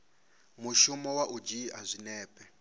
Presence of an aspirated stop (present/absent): absent